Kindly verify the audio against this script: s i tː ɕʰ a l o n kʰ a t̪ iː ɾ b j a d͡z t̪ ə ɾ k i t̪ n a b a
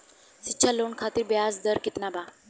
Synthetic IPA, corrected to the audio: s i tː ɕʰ a l o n kʰ a t̪ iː ɾ b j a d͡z d̪ ə ɾ k i t̪ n a b a